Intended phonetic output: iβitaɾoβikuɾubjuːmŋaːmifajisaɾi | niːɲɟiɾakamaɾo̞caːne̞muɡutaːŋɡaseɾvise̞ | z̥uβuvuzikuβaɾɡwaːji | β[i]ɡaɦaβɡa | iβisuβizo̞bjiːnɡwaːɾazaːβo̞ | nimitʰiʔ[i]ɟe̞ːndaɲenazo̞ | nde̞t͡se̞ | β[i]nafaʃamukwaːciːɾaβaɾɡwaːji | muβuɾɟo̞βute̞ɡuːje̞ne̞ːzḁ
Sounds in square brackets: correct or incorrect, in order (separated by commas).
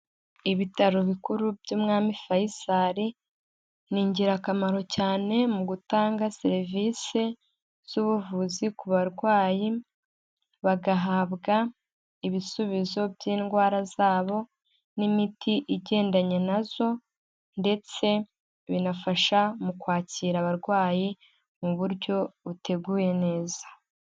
incorrect, correct, correct